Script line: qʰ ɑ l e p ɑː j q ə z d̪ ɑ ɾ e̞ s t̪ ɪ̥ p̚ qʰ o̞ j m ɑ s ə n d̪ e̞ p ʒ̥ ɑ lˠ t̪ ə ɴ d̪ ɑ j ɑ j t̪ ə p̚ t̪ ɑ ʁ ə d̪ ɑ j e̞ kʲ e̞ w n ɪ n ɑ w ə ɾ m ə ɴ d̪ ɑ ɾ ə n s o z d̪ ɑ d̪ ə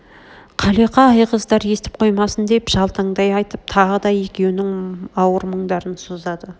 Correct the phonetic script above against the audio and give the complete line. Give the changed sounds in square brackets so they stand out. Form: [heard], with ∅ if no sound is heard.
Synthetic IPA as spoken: qʰ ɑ l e [q] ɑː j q ə z d̪ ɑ ɾ e̞ s t̪ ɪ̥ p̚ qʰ o̞ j m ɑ s ə n d̪ e̞ p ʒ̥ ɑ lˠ t̪ ə ɴ d̪ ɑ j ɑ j t̪ ə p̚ [t̪ʰ] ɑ ʁ ə d̪ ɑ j e̞ kʲ e̞ w n ɪ [ŋ] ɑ w ə ɾ m ə ɴ d̪ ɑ ɾ ə n s o z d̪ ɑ d̪ ə